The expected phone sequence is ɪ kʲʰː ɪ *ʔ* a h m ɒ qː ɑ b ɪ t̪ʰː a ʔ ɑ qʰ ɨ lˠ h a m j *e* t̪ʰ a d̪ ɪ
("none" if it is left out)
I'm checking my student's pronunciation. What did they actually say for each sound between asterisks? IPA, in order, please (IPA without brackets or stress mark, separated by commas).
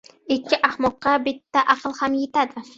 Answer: ʔ, e